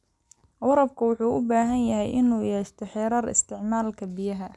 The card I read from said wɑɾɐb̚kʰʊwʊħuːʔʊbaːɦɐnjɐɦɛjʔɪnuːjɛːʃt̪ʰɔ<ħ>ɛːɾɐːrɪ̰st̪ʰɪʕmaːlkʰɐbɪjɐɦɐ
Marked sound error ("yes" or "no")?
no